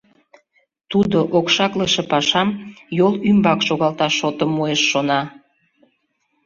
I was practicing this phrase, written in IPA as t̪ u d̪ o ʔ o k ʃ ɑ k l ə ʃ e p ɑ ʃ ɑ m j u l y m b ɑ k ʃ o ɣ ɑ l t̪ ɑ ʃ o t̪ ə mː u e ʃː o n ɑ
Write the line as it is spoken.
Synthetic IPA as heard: t̪ u d̪ o ʔ o k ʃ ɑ k l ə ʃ e p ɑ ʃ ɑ m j o l y m b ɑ k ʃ o ɣ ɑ l t̪ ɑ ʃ o t̪ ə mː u e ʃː o n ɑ